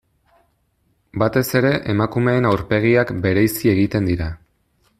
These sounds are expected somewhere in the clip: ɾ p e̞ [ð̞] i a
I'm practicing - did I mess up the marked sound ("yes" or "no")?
yes